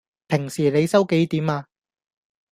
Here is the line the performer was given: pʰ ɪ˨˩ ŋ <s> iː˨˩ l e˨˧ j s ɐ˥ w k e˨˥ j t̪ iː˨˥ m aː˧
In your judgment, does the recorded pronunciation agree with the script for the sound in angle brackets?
yes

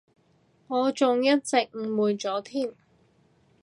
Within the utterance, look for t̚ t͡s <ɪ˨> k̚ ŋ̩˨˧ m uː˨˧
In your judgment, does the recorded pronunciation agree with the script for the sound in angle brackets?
yes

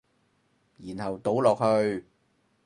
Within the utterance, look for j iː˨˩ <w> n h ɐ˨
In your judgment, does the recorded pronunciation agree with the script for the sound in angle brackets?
no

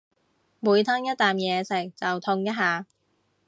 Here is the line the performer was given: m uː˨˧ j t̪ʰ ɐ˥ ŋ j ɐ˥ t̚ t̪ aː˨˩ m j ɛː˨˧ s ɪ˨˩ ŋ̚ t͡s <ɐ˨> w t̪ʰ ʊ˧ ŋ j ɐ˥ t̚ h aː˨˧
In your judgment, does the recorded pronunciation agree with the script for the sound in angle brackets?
yes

